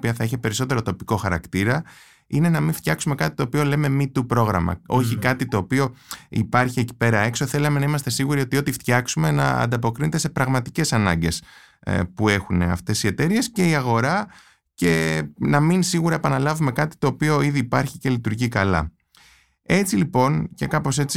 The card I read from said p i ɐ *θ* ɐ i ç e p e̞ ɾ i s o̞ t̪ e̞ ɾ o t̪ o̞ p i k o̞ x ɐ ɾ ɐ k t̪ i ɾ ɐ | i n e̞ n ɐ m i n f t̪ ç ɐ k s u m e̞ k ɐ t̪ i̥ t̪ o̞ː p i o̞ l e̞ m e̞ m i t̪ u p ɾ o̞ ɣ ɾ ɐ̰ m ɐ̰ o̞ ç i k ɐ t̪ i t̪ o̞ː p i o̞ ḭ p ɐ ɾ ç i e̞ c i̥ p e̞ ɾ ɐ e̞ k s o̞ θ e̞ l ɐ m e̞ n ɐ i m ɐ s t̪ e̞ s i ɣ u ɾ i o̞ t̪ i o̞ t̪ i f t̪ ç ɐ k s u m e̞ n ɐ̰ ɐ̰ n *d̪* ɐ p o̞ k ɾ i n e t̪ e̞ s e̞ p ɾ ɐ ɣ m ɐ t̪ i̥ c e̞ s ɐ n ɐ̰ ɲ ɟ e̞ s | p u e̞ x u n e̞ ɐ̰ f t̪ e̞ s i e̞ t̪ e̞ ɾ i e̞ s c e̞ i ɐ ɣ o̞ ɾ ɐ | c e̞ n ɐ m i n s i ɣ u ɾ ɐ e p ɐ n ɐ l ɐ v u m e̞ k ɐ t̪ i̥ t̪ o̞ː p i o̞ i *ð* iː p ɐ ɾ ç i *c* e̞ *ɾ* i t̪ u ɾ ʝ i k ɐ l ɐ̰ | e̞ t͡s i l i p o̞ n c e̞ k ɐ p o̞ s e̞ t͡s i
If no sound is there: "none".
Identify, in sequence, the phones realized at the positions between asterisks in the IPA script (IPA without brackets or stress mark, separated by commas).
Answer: θ, d̪, ð, c, l